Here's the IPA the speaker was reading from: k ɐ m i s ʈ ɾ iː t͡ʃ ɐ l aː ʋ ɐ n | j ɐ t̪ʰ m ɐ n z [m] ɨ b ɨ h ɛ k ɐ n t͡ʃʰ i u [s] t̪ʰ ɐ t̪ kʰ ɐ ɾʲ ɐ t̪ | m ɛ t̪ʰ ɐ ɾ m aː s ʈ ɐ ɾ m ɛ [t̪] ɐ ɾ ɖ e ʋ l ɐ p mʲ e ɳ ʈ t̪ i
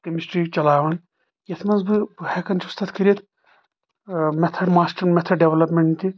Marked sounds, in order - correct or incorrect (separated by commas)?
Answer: incorrect, correct, incorrect